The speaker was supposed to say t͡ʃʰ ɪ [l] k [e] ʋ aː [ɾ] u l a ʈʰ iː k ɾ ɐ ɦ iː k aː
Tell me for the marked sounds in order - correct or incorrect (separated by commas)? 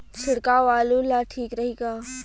incorrect, incorrect, incorrect